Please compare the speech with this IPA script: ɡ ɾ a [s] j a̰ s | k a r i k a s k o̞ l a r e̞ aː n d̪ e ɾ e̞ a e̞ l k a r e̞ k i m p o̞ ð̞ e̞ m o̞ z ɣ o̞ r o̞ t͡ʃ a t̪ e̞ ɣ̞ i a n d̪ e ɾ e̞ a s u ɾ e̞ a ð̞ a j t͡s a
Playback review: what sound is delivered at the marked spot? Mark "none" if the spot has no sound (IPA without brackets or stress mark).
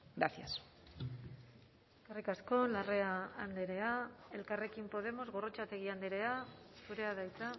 θ